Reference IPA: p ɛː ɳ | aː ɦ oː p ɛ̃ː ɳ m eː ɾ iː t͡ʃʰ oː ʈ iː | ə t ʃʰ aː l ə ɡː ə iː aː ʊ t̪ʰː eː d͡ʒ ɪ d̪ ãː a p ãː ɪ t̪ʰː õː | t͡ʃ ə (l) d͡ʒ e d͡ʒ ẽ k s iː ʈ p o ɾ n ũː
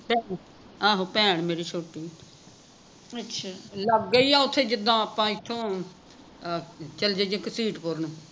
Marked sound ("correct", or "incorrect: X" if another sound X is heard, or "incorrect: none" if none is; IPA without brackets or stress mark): correct